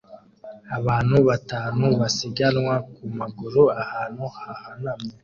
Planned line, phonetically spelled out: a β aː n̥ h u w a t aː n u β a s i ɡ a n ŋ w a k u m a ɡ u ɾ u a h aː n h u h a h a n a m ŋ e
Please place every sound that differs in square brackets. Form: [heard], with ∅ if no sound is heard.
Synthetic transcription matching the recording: a β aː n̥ h u [β] a t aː n u β a s i ɡ a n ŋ w a k u m a ɡ u ɾ u a h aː n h u h a h a n a m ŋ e